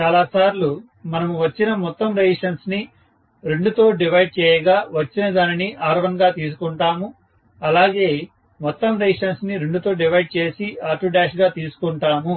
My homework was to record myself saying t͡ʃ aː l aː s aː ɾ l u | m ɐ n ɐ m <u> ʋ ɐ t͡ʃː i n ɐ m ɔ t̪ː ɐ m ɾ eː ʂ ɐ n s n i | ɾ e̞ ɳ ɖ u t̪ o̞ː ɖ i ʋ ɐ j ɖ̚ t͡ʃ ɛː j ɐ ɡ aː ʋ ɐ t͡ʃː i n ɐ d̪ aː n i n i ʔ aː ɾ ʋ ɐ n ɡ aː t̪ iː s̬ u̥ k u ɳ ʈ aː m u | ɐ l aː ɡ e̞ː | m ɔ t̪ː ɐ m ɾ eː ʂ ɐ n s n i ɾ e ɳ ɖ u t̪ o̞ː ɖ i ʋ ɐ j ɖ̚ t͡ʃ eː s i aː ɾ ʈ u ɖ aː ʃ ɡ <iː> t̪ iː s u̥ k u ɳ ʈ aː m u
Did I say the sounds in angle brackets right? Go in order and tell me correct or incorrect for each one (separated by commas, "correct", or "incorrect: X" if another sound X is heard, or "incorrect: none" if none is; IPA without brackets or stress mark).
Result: correct, incorrect: aː